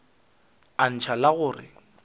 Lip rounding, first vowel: unrounded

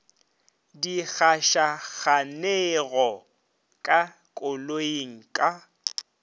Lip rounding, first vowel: unrounded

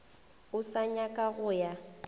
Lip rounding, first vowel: rounded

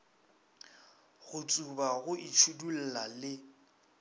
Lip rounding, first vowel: rounded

